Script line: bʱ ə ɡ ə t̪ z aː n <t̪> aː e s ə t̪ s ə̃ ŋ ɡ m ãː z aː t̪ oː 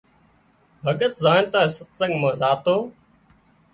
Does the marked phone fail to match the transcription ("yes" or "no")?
no